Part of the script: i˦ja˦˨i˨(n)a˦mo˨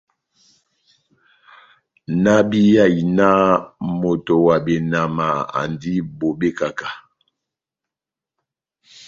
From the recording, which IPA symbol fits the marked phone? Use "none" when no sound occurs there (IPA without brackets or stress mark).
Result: n